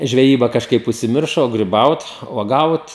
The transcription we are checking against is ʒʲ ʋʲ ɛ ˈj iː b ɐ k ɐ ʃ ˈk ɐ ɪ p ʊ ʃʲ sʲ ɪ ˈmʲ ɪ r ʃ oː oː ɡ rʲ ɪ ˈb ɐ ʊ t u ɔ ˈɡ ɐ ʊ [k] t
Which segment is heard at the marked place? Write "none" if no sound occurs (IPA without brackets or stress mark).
none